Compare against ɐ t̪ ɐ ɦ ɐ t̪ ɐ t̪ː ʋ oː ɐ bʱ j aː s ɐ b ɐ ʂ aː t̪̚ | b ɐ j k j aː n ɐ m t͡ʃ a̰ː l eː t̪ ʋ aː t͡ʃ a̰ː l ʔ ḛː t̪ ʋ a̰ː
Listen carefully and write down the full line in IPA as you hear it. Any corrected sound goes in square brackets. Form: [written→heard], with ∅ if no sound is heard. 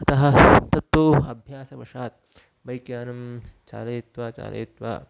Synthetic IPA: ɐ t̪ ɐ ɦ ɐ t̪ ɐ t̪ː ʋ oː ɐ bʱ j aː s ɐ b ɐ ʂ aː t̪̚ | b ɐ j k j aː n ɐ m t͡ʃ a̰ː l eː t̪ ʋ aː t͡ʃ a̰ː l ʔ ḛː t̪ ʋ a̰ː